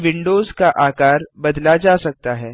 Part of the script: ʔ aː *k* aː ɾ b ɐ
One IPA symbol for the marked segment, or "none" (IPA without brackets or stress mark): k